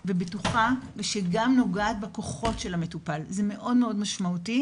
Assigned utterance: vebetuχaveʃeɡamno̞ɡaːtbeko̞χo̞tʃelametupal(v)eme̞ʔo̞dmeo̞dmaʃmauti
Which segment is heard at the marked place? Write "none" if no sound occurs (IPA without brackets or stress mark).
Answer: z